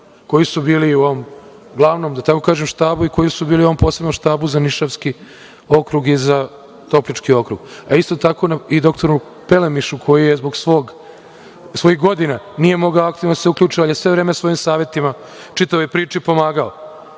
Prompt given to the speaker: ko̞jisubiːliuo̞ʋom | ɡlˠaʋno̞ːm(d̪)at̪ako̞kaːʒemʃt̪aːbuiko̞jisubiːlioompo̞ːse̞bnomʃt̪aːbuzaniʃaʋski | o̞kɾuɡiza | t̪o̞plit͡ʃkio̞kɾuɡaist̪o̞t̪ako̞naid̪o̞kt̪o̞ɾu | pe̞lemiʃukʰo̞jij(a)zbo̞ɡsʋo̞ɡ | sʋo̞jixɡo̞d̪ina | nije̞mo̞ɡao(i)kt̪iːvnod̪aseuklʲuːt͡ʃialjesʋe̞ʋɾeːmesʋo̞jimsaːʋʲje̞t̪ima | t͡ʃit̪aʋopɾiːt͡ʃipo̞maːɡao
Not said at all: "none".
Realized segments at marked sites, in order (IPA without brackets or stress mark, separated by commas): d̪, e, a